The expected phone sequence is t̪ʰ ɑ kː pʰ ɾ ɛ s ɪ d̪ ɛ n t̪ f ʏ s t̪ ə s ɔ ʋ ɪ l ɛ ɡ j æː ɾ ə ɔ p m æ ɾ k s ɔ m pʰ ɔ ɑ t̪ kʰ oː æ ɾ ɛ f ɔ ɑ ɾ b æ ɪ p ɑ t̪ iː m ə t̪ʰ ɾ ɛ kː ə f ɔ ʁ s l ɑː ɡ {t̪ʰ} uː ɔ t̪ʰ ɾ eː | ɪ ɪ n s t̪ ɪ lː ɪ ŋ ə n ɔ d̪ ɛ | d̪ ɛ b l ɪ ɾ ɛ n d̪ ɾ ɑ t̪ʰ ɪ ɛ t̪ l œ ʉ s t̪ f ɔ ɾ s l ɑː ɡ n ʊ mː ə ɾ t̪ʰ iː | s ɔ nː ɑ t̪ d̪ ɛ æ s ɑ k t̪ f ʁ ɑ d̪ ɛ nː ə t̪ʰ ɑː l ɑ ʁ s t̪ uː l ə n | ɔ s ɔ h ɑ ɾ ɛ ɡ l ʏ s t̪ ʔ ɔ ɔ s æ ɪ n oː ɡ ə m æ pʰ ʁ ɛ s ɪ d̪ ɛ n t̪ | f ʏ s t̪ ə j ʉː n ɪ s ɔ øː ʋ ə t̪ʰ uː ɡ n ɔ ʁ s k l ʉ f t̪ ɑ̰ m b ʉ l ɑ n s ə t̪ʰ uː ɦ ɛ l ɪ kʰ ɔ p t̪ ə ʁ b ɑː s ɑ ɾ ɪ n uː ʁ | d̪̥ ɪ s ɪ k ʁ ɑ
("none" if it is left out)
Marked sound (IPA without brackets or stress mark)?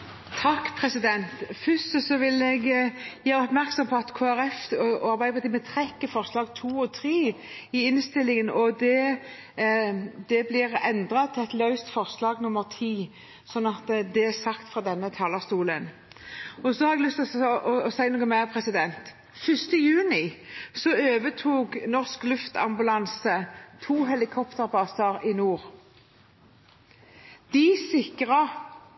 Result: t̪ʰ